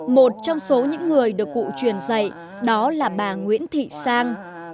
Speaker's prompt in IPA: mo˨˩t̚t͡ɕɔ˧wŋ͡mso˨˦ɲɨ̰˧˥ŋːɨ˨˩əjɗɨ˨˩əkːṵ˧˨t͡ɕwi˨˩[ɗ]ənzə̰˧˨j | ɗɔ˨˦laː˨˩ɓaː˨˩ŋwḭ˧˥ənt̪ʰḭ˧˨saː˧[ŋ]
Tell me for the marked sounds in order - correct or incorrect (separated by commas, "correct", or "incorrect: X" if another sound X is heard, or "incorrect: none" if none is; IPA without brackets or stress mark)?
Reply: incorrect: none, correct